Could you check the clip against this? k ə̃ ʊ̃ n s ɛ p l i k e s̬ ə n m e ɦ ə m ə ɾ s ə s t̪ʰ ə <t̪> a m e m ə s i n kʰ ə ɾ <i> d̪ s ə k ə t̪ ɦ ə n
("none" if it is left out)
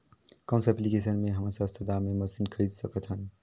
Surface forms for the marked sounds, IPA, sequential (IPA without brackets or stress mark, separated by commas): d̪, i